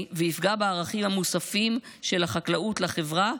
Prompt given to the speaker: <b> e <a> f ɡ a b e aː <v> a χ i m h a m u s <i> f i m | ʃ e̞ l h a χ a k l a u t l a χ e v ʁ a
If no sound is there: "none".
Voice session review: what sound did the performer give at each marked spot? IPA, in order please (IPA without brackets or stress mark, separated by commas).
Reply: v, i, ʁ, a